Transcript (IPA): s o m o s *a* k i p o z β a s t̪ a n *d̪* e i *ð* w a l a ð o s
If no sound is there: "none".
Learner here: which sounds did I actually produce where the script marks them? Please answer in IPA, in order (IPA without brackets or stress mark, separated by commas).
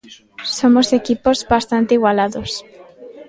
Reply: e, t̪, ɣ